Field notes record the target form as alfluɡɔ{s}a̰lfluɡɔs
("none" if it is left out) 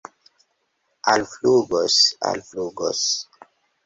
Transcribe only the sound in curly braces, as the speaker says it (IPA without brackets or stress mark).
s